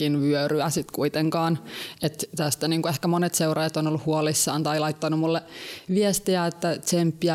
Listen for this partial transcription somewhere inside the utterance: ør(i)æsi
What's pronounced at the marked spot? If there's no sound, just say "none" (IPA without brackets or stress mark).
y